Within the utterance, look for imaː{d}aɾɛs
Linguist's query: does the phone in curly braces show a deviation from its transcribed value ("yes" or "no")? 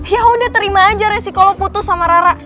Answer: yes